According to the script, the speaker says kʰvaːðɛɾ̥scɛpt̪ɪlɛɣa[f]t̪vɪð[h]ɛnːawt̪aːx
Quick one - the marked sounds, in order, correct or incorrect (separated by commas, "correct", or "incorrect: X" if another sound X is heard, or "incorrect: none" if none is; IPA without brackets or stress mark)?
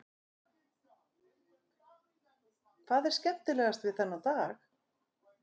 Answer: incorrect: s, incorrect: θ